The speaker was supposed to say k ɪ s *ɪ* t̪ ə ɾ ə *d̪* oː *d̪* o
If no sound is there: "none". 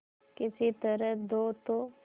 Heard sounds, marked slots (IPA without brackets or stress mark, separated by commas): i, d̪, t̪